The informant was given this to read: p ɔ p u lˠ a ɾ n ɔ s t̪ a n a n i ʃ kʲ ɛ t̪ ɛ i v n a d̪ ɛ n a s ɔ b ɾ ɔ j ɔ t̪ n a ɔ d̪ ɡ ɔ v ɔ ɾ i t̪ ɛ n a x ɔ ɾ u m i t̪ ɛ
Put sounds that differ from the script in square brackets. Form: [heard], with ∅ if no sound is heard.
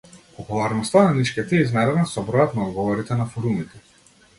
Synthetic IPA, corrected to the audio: p ɔ p u lˠ a ɾ n ɔ s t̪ a n a n i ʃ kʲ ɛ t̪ ɛ i [z] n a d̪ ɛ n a s ɔ b ɾ ɔ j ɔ t̪ n a ɔ d̪ ɡ ɔ v ɔ ɾ i t̪ ɛ n a [f] ɔ ɾ u m i t̪ ɛ